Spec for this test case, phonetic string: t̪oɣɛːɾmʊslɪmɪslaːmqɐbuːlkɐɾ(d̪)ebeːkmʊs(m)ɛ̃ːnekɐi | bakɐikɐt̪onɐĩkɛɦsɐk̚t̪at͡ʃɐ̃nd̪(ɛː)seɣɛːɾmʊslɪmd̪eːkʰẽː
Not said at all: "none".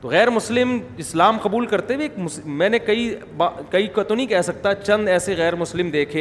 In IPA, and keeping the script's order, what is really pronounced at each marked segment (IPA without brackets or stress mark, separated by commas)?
t̪, m, ɛː